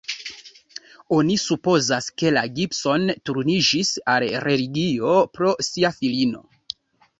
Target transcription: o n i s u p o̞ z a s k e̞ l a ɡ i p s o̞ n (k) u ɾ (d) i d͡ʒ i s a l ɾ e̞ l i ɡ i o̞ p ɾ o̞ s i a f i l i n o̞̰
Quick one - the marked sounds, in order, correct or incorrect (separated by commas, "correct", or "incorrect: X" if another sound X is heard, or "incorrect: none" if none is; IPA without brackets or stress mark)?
incorrect: t, incorrect: n